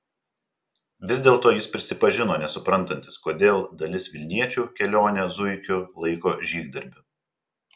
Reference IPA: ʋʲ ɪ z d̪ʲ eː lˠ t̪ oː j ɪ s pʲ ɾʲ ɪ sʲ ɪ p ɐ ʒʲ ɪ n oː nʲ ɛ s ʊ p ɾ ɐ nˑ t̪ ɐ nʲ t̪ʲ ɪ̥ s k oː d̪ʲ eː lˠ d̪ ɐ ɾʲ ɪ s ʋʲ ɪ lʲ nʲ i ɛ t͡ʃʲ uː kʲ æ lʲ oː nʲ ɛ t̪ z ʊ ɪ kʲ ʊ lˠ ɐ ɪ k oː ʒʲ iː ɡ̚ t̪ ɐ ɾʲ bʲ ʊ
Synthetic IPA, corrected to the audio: ʋʲ ɪ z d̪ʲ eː lˠ t̪ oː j ɪ s pʲ ɾʲ ɪ sʲ ɪ p ɐ ʒʲ ɪ n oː nʲ ɛ s ʊ p ɾ ɐ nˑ t̪ ɐ nʲ t̪ʲ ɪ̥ s k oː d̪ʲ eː lˠ d̪ ɐ lʲ ɪ s ʋʲ ɪ lʲ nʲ i ɛ t͡ʃʲ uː kʲ ɛ lʲ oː nʲ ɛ z ʊ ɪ kʲ ʊ lˠ ɐ ɪ k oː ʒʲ iː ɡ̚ d̪ ɐ ɾʲ bʲ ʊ